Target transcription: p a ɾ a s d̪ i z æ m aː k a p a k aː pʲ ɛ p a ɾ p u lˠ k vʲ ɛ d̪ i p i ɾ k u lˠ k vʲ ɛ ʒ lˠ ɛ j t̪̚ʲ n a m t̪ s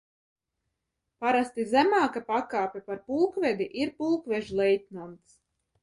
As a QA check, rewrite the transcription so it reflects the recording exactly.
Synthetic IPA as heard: p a ɾ a s t̪ i z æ m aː k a p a k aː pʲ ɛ p a ɾ p u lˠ k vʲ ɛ d̪ i ʔ i ɾ p u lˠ k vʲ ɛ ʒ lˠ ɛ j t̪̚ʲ n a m t̪ s